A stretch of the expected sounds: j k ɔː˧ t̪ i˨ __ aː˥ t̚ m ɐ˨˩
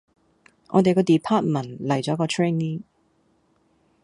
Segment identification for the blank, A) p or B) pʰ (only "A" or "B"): B